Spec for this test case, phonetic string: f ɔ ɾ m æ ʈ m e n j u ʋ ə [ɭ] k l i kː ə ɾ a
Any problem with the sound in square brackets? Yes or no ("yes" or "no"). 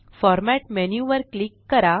yes